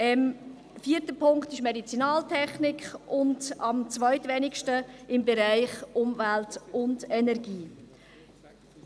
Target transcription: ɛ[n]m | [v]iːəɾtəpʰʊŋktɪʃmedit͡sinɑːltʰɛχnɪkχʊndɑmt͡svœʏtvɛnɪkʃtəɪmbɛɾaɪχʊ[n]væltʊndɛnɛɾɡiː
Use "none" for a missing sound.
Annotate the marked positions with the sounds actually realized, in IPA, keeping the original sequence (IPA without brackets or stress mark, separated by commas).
none, f, m